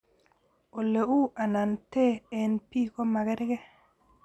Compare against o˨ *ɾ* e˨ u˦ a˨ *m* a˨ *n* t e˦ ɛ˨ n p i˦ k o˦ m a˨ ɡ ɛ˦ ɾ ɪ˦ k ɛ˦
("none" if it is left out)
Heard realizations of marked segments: l, n, n

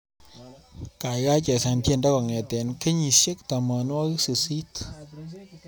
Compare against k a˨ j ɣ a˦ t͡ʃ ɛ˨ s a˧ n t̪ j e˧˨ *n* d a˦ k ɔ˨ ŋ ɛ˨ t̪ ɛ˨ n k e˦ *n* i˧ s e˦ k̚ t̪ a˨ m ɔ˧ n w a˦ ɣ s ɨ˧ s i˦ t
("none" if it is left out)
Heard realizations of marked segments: n, ɲ

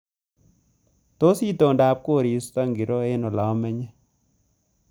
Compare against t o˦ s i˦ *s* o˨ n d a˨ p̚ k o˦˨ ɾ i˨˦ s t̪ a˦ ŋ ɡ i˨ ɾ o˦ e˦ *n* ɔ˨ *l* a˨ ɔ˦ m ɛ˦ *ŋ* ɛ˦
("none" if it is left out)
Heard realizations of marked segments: t, n, l, ɲ

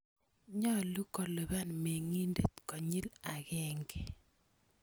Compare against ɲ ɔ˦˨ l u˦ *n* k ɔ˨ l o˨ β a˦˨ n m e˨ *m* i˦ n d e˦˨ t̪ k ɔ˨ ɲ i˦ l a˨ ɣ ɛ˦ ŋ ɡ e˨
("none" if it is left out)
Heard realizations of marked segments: none, ŋ

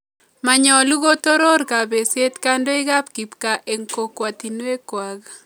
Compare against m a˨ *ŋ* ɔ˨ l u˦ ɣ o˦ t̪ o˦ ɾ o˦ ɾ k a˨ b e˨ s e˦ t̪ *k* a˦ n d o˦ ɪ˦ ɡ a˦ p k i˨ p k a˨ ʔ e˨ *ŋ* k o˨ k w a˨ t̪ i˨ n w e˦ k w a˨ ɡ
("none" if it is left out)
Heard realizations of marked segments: ɲ, k, ŋ

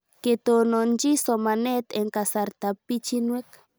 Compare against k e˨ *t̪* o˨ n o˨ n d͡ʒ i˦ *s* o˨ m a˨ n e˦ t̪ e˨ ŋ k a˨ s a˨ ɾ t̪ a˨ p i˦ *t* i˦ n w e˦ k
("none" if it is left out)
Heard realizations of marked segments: t̪, s, t͡ʃ

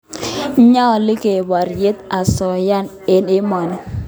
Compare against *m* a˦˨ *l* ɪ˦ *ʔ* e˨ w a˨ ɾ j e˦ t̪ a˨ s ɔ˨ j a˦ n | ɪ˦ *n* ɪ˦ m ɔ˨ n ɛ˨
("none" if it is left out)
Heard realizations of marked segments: ɲ, l, k, n

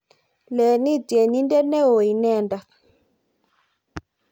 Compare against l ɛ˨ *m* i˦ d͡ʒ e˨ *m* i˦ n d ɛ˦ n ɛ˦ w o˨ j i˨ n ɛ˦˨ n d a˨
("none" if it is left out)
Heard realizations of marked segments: n, n

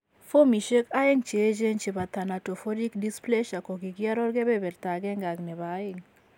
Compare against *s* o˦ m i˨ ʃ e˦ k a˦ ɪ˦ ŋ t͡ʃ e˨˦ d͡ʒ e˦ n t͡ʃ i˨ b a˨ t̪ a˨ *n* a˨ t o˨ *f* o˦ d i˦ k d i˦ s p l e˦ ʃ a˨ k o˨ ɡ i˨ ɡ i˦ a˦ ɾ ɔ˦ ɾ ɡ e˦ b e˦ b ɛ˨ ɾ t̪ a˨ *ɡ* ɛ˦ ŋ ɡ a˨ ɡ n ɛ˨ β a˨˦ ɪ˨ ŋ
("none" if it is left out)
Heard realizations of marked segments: f, n, f, ɡ

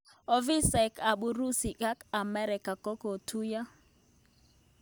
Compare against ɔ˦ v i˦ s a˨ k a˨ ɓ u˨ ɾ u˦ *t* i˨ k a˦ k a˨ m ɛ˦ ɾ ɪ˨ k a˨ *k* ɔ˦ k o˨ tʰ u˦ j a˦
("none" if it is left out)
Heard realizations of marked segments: s, k

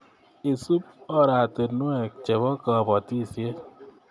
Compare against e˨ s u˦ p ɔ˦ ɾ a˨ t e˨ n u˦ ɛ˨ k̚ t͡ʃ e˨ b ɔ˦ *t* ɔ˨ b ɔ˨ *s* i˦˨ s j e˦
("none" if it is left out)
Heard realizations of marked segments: k, t

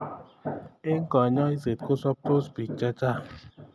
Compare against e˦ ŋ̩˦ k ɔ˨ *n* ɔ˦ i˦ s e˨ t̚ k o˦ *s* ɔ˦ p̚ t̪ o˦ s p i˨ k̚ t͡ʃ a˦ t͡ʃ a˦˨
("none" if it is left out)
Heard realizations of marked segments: ɲ, s

